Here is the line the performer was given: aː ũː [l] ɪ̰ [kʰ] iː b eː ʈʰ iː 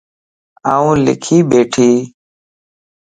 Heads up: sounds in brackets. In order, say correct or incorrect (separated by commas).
correct, correct